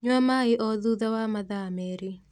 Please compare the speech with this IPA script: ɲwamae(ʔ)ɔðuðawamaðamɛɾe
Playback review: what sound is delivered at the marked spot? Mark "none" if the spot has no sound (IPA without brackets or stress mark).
ʔ